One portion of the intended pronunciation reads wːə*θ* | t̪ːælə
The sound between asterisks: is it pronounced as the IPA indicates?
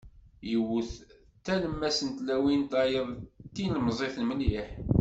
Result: yes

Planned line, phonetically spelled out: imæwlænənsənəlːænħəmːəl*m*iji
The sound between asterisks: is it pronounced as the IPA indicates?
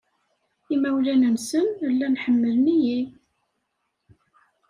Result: no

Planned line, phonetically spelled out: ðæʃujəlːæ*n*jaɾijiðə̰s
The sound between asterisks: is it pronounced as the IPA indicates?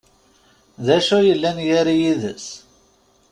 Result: yes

